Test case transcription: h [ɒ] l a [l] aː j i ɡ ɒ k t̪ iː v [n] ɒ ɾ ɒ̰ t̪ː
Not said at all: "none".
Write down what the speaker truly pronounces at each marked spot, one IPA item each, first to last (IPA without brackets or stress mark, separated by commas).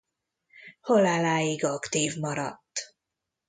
o, l, m